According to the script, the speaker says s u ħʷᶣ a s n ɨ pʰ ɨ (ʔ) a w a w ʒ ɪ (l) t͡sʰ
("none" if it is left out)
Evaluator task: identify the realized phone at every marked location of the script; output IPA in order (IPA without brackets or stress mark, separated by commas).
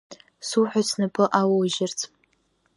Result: ʔ, r